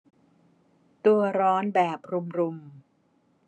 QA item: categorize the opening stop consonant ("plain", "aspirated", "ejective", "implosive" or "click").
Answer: plain